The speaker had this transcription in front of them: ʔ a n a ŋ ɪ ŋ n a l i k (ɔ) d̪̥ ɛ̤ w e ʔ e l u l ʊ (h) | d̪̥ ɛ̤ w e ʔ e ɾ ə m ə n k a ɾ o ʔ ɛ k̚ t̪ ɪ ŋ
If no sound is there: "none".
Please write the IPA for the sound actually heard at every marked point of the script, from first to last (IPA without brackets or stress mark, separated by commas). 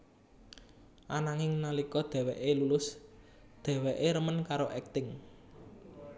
ɔ, s